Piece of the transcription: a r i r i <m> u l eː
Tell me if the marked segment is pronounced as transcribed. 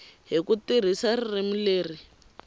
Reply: yes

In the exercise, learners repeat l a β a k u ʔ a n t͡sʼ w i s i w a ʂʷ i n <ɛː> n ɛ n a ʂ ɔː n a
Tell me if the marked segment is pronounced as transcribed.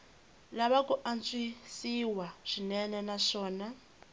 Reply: no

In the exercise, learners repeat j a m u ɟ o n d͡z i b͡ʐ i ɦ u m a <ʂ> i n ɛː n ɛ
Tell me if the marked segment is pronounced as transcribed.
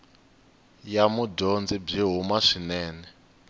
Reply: yes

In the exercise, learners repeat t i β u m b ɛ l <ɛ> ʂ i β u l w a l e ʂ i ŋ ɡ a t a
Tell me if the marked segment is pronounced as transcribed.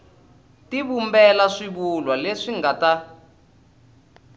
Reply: no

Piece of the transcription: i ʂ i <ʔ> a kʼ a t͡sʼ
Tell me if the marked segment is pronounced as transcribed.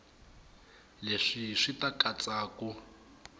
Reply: no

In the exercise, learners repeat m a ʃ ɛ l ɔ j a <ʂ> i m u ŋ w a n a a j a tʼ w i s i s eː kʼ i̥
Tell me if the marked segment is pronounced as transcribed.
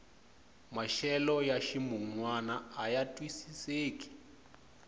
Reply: no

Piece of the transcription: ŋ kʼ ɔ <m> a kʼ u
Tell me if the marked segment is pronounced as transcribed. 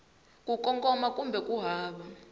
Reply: yes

